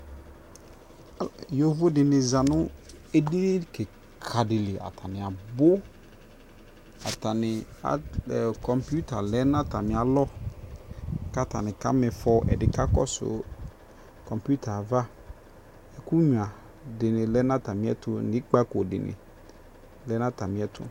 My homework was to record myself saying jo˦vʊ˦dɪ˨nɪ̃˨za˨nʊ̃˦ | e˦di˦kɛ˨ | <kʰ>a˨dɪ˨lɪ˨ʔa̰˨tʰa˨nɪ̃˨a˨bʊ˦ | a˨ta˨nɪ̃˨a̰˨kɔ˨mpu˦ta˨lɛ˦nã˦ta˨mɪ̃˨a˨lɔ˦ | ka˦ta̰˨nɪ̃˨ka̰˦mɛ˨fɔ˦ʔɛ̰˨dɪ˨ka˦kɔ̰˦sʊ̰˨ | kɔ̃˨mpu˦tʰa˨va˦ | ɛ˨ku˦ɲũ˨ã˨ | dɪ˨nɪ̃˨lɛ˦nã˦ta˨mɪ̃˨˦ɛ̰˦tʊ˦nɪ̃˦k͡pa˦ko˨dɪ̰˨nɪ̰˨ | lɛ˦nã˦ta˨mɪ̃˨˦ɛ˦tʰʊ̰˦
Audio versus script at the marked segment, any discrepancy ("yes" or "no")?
no